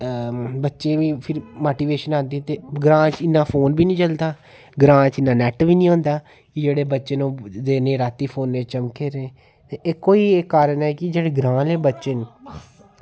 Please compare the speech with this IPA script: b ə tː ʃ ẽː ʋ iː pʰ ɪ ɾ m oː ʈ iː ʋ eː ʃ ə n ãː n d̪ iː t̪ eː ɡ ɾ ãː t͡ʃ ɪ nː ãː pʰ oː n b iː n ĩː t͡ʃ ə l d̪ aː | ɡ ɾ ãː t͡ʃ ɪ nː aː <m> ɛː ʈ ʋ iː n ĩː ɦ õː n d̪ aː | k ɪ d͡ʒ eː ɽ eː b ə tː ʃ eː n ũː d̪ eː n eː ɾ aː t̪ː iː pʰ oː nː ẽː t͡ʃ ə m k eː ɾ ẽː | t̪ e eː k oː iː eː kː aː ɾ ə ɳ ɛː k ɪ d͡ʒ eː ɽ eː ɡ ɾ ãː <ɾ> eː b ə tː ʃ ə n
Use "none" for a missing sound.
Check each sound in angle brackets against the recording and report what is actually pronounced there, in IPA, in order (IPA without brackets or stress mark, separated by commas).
n, l